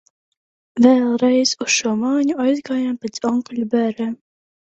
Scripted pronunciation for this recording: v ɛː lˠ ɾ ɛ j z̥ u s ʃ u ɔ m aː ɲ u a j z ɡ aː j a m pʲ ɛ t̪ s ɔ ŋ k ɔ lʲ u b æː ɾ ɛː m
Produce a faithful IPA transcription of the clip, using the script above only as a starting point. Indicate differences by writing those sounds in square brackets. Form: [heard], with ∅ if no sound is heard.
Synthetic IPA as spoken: v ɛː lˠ ɾ ɛ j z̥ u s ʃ u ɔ m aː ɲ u a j z ɡ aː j a m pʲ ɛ t̪ s ɔ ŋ k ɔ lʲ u b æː ɾ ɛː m